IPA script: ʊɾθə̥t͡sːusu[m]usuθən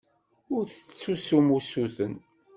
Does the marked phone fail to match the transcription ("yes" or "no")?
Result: no